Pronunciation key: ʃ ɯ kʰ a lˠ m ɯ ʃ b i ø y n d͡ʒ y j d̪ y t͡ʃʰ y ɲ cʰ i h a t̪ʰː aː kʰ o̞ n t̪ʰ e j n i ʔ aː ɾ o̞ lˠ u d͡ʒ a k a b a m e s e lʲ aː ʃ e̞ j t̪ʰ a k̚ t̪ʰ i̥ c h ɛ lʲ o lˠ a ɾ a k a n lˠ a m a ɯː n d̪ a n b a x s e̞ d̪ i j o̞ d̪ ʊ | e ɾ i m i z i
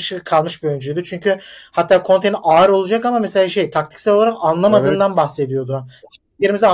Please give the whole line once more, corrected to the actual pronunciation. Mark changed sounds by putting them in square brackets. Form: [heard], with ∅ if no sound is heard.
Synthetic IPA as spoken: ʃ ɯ kʰ a lˠ m ɯ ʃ b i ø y n d͡ʒ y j d̪ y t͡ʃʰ y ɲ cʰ [y] h a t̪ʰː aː kʰ o̞ n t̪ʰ e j n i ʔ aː ɾ o̞ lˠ u d͡ʒ a k a [m] a m e s e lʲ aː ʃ e̞ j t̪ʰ a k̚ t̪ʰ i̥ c [s] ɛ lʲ o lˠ a ɾ a k a n lˠ a m a ɯː n d̪ a n b a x s e̞ d̪ i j o̞ d̪ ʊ | e ɾ i m i z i